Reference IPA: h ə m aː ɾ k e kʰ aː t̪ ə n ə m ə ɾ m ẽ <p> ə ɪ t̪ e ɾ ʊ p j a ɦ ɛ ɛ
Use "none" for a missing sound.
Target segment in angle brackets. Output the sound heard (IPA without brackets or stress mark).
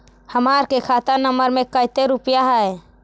k